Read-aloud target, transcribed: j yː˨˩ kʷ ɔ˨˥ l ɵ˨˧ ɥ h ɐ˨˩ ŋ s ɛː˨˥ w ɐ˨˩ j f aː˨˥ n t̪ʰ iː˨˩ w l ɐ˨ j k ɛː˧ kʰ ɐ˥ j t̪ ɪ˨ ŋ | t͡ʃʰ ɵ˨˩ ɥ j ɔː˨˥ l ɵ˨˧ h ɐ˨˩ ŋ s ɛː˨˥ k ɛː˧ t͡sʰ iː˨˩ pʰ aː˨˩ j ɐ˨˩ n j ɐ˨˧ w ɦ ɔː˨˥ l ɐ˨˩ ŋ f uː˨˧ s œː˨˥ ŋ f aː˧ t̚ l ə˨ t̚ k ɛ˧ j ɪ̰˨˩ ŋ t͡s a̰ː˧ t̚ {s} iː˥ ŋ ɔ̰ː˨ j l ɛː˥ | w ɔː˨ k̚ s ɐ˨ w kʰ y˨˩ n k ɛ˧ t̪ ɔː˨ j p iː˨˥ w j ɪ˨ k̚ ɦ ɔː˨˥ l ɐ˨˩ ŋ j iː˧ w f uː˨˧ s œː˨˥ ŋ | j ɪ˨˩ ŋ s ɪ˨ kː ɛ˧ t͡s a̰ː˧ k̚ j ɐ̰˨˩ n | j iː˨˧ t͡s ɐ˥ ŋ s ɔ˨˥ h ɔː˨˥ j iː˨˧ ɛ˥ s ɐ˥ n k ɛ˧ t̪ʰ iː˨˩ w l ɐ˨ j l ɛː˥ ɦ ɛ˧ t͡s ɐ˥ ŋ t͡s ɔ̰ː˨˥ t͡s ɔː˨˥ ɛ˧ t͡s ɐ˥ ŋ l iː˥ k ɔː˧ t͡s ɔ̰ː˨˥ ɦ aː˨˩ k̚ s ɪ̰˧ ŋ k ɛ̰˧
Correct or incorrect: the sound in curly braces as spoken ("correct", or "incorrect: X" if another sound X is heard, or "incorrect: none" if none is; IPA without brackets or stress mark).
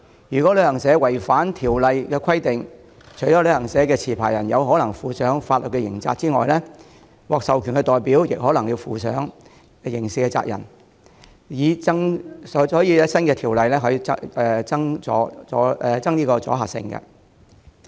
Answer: incorrect: t͡s